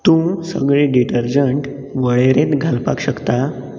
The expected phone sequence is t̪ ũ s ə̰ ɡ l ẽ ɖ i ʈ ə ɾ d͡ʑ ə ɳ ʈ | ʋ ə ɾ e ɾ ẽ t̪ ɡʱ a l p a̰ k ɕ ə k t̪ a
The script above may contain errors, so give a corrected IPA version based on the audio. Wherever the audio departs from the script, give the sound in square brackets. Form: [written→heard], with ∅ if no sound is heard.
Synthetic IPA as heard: t̪ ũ s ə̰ ɡ [l→ɭ] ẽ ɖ i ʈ ə ɾ d͡ʑ ə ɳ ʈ | ʋ ə [ɾ→ɭ] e ɾ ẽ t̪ ɡʱ a l p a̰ k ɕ ə k t̪ a